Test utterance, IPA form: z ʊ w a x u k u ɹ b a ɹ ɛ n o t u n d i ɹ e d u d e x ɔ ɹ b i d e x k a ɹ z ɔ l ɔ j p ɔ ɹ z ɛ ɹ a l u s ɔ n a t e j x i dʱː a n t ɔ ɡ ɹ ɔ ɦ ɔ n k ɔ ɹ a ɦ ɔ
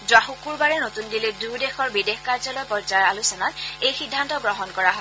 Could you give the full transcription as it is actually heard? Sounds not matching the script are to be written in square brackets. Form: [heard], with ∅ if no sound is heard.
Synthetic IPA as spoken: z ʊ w a x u k u ɹ b a ɹ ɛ n o t u n d i [l] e d u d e x ɔ ɹ b i d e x k a ɹ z ɔ l ɔ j p ɔ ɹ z [a] ɹ a l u s ɔ n a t e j x i dʱː a n t ɔ ɡ ɹ ɔ ɦ ɔ n k ɔ ɹ a ɦ ɔ